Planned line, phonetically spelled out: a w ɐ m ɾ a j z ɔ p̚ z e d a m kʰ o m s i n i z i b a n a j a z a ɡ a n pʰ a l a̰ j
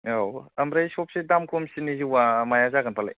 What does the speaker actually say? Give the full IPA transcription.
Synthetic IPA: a w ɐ m ɾ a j s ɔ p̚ s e d a m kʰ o m s i n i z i w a m a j a z a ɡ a n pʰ a l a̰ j